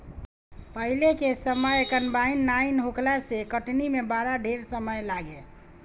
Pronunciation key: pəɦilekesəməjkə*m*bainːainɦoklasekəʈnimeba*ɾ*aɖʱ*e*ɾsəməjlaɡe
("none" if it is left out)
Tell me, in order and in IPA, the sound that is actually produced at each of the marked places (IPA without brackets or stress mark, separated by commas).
n, ɾ, e